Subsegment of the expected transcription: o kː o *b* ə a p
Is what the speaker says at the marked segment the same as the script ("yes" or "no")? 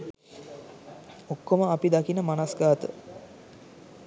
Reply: no